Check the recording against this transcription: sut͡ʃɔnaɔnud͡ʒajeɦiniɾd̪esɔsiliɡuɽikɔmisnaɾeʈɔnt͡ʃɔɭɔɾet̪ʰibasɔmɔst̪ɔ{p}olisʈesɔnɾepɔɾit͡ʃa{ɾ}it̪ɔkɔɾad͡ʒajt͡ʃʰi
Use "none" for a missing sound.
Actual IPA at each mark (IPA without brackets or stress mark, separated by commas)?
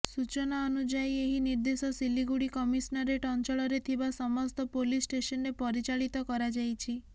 p, ɭ